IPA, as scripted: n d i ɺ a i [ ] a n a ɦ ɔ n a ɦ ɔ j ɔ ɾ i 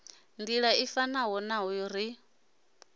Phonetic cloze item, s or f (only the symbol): f